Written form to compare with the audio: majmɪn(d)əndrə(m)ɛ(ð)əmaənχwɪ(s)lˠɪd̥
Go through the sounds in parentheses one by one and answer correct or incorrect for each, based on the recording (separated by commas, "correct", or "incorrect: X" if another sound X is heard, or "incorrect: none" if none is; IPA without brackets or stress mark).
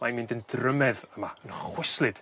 correct, correct, correct, correct